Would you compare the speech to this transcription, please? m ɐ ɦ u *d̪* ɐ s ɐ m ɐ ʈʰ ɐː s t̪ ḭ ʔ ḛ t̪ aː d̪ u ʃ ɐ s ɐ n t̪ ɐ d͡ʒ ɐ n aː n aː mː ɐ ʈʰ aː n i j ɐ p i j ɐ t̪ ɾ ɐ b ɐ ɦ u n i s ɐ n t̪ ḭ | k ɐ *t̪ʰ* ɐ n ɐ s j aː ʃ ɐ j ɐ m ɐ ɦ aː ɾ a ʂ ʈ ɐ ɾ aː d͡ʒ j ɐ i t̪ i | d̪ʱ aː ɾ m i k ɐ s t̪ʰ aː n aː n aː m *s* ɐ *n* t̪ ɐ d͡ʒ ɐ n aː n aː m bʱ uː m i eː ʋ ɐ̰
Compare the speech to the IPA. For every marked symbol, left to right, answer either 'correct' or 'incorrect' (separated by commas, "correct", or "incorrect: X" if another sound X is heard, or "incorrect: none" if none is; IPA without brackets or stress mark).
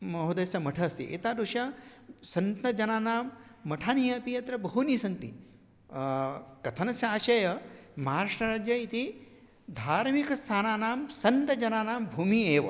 correct, correct, correct, correct